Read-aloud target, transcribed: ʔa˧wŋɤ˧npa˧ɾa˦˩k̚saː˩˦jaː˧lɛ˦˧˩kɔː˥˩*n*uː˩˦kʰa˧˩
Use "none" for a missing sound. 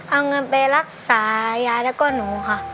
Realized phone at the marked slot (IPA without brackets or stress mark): n